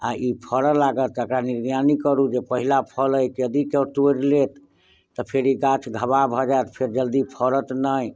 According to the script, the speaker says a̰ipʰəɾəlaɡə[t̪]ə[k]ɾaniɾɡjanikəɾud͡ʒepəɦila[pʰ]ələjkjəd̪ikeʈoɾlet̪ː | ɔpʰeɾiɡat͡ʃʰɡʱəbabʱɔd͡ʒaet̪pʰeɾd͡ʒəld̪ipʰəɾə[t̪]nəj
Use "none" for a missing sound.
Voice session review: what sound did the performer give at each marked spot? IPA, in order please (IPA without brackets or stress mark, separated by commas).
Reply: t̪, k, pʰ, t̪